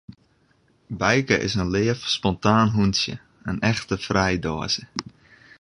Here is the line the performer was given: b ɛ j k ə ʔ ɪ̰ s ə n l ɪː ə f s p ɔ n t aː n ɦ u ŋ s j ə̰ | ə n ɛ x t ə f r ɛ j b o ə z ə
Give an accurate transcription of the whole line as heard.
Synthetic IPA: b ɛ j k ə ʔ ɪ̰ s ə n l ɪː ə f s p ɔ n t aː n ɦ u n s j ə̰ | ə n ɛ x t ə f r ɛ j d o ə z ə